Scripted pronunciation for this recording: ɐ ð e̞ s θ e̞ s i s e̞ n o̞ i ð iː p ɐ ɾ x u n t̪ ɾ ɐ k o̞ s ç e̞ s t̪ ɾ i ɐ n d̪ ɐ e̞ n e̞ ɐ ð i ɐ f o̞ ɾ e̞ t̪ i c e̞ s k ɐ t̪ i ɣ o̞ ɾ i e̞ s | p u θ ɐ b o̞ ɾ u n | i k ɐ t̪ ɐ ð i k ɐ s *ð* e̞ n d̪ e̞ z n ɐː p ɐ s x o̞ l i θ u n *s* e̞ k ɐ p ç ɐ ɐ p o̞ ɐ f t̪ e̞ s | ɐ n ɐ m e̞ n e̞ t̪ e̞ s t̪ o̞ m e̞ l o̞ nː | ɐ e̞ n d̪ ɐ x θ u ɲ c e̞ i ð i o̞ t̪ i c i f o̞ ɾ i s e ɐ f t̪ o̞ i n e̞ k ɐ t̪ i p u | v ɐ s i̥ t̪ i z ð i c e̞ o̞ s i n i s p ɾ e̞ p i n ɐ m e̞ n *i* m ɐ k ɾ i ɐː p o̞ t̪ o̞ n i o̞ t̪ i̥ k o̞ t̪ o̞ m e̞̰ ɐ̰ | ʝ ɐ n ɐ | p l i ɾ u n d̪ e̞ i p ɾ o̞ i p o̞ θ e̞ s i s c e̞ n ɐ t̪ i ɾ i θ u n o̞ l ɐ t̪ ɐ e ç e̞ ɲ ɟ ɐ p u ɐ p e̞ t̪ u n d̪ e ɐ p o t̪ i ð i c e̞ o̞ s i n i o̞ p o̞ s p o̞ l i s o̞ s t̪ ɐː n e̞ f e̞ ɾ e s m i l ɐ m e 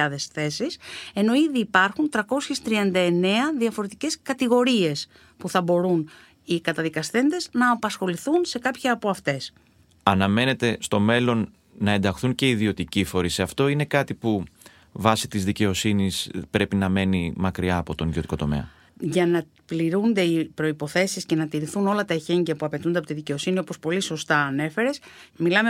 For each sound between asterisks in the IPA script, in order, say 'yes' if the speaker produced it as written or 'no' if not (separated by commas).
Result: no, yes, yes